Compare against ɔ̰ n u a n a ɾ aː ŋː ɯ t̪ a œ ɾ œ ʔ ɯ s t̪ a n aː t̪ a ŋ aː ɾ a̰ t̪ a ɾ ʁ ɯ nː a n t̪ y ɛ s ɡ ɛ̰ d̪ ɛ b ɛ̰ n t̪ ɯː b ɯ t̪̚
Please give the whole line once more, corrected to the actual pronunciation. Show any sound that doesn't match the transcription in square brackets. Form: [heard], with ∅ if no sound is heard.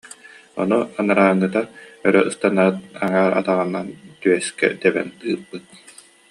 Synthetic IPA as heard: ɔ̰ n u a n a ɾ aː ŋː ɯ t̪ a œ ɾ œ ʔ ɯ s t̪ a n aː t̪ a ŋ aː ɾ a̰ t̪ a [∅] ʁ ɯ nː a n t̪ y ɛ s [k] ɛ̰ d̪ ɛ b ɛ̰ n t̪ ɯː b ɯ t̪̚